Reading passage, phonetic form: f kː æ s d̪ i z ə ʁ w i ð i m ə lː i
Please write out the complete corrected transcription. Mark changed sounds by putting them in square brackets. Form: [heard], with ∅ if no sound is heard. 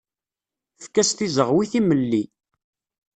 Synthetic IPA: f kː æ s [t̪] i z ə ʁ w i [θ] i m ə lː i

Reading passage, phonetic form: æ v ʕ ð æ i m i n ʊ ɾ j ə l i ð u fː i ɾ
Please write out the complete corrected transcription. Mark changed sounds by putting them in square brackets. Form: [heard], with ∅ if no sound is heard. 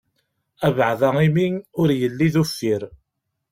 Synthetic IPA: æ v ʕ ð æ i m i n ʊ ɾ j ə [lː] i ð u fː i ɾ

